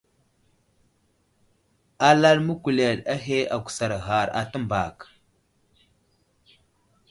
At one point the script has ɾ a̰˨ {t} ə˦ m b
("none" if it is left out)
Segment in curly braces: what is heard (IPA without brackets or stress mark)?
t